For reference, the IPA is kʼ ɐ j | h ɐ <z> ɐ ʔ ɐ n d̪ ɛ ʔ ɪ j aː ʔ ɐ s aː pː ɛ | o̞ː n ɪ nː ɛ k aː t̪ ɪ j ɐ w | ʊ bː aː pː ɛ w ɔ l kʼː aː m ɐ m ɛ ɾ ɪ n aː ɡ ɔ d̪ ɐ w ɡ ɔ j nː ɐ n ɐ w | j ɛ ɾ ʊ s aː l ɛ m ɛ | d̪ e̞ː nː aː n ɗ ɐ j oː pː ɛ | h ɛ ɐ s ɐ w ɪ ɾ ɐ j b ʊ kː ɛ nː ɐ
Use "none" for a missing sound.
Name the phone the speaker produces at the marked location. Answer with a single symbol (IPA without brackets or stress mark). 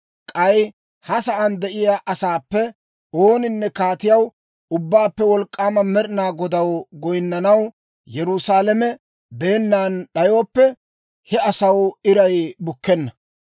s